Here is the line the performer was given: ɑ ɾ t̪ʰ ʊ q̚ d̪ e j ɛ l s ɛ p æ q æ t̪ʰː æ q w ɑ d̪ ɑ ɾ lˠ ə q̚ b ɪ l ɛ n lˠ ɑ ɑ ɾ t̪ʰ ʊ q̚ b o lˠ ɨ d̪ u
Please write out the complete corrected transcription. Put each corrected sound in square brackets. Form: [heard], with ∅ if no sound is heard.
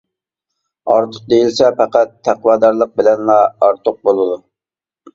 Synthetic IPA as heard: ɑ ɾ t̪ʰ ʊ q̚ d̪ e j [i] l s ɛ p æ q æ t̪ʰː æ q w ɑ d̪ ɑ ɾ lˠ ə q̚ b ɪ l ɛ n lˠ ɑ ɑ ɾ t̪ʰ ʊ q̚ b o lˠ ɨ d̪ u